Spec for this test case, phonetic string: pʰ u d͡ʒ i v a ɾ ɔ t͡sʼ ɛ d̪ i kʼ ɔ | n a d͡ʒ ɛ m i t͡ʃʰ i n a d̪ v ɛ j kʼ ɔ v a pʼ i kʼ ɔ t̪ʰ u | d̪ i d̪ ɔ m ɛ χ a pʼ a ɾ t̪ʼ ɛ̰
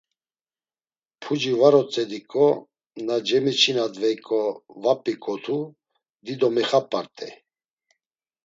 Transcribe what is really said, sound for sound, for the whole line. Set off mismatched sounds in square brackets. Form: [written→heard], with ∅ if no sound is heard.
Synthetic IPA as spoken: pʰ u d͡ʒ i v a ɾ ɔ t͡sʼ ɛ d̪ i kʼ ɔ | n a d͡ʒ ɛ m i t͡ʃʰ i n a d̪ v ɛ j kʼ ɔ v a pʼ i kʼ ɔ t̪ʰ u | d̪ i d̪ ɔ m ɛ χ a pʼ a ɾ t̪ʼ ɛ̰